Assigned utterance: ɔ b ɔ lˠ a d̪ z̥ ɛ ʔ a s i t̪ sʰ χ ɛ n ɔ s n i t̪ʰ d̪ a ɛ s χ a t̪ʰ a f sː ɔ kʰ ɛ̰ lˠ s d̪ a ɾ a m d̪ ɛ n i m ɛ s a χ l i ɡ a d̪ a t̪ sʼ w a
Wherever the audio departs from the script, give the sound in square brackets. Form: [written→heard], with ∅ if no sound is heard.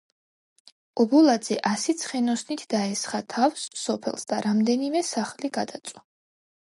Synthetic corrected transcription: ɔ b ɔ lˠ a d̪ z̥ ɛ ʔ a s i t̪ sʰ χ ɛ n ɔ s n i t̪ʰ d̪ a ɛ s χ a t̪ʰ a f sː ɔ [kʰ→pʰ] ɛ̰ lˠ s d̪ a ɾ a m d̪ ɛ n i m ɛ s a χ l i ɡ a d̪ a t̪ sʼ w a